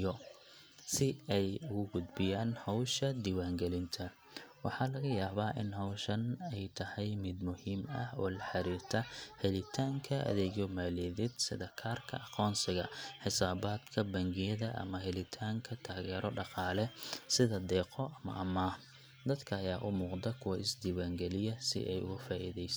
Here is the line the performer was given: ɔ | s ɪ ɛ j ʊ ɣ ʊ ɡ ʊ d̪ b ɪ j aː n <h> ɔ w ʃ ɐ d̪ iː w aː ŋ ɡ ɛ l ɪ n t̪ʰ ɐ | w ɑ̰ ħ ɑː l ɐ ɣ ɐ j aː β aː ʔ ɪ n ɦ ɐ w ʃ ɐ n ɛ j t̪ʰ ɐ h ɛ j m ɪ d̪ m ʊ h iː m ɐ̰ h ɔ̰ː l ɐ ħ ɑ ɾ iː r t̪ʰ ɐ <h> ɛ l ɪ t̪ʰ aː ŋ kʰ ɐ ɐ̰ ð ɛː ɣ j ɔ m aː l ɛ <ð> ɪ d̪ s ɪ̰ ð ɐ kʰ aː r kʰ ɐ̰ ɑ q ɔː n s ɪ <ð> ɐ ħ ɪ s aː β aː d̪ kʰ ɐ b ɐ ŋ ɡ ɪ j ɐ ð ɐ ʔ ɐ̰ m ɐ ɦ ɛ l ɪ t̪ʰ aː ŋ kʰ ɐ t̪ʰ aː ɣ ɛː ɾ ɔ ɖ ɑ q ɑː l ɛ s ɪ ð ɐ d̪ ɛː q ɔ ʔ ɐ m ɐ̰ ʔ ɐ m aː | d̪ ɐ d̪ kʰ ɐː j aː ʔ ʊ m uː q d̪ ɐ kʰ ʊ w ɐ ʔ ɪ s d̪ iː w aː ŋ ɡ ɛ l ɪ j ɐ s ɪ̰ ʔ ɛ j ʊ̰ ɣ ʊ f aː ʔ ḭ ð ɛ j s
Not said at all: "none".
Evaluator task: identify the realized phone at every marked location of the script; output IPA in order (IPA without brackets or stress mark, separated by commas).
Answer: h, h, ð, ɣ